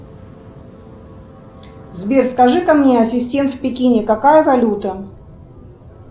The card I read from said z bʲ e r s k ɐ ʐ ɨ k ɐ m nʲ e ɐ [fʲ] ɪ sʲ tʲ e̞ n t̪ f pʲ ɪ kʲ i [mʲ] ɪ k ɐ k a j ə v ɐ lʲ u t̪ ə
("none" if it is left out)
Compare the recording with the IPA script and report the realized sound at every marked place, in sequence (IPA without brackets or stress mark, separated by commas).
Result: sʲ, nʲ